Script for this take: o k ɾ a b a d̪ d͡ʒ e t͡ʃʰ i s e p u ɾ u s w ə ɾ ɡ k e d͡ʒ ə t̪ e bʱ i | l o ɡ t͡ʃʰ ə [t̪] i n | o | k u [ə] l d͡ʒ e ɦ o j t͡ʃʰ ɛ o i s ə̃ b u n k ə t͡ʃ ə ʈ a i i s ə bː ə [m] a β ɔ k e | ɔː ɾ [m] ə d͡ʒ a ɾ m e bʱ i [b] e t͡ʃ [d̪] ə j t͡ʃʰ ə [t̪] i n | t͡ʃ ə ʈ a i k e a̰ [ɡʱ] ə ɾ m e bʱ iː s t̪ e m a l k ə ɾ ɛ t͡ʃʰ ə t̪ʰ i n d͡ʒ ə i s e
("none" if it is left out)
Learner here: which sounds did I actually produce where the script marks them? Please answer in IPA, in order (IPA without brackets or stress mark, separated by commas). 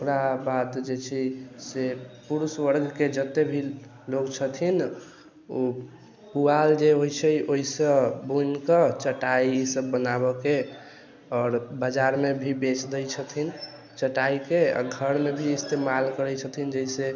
t̪ʰ, a, n, b, b, d̪, t̪ʰ, ɡʱ